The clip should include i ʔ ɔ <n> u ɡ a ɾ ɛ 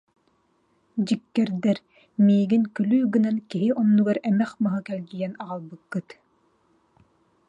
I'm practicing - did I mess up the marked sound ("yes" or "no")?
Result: yes